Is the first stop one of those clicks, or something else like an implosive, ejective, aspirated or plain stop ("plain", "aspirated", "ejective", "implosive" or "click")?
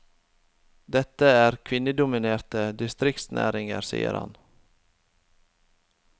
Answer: plain